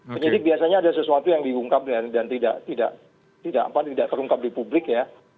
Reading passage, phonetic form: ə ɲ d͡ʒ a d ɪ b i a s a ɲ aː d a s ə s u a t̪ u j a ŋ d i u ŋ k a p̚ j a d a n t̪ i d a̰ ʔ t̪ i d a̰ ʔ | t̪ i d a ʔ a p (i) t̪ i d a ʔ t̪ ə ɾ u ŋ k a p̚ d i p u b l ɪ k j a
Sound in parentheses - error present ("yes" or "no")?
yes